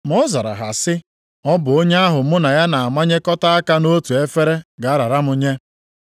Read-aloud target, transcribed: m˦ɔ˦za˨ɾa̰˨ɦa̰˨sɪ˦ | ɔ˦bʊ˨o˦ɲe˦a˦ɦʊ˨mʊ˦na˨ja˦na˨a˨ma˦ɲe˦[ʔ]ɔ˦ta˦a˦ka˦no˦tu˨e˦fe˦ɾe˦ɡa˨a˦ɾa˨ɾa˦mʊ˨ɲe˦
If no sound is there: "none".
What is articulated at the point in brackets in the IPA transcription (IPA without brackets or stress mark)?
k